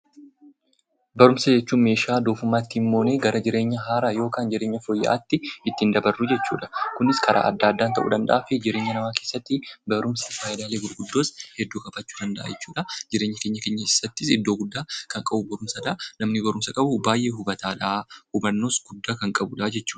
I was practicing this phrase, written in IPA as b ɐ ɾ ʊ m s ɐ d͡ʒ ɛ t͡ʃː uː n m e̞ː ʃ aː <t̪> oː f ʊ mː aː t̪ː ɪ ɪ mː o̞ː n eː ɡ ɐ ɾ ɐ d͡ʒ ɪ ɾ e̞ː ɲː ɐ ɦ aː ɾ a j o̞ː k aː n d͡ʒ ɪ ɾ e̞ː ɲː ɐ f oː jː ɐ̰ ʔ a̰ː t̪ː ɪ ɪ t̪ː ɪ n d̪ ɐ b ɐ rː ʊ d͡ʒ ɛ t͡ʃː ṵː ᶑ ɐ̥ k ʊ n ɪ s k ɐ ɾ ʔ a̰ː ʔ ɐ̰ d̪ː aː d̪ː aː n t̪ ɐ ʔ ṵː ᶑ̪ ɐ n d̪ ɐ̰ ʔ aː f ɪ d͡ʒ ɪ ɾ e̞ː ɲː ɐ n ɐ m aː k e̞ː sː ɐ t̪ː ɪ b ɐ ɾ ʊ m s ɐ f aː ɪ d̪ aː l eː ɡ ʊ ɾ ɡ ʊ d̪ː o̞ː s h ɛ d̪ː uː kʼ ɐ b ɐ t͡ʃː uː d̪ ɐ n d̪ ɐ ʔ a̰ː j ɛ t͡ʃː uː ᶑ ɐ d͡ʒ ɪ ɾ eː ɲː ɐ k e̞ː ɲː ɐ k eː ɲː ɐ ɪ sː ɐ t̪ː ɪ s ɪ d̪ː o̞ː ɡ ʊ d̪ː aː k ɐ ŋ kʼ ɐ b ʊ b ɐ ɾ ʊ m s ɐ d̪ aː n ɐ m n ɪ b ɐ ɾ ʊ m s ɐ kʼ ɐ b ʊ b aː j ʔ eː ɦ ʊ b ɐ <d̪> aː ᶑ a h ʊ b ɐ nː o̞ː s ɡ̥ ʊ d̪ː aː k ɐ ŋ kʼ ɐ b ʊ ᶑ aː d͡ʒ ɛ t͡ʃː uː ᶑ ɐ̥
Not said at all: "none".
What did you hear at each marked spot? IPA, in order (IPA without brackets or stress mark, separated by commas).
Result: d̪, t̪